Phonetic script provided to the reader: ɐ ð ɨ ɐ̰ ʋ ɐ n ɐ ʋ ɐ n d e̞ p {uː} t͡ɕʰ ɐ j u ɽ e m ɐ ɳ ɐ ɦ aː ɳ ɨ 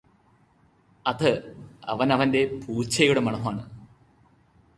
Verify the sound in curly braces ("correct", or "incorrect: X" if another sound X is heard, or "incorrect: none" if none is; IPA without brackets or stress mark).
correct